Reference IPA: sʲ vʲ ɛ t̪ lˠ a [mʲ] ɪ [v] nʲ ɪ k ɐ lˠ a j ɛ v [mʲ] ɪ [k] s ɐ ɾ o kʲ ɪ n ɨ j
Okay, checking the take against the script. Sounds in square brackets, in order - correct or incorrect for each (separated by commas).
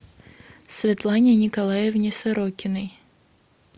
incorrect, incorrect, incorrect, incorrect